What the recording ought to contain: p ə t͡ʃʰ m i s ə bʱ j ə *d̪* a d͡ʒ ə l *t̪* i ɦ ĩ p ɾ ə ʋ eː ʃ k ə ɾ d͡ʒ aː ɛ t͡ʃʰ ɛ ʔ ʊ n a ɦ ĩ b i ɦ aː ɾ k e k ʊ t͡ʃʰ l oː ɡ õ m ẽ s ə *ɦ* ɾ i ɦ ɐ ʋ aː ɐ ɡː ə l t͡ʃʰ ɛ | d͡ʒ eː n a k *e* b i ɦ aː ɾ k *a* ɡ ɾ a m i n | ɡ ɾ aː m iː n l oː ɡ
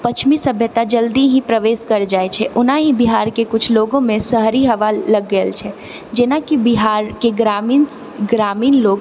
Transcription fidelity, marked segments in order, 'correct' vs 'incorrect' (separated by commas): incorrect, incorrect, correct, incorrect, incorrect